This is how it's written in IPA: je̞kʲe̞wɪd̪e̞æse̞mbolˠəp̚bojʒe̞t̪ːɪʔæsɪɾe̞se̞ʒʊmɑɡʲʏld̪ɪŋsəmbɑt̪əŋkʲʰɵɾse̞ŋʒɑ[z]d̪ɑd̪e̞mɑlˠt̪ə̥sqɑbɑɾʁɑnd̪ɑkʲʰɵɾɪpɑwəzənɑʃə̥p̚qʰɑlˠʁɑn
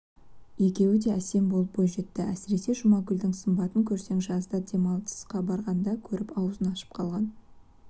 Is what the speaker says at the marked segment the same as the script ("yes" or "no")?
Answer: yes